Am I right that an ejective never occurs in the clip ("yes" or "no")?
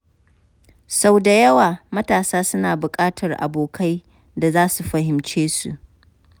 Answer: no